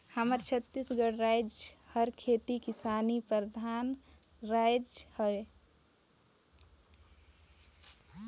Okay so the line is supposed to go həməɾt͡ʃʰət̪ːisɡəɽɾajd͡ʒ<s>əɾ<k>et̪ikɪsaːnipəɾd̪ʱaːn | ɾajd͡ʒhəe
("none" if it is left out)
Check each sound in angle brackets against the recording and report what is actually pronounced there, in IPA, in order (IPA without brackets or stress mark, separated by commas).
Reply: h, kʰ